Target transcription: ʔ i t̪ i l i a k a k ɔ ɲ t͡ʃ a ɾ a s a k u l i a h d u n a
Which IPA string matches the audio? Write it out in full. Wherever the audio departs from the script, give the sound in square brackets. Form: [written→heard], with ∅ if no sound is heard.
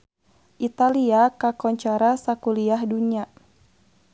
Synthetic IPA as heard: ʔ i t̪ [i→a] l i a k a k ɔ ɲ t͡ʃ a ɾ a s a k u l i a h d u [n→ɲ] a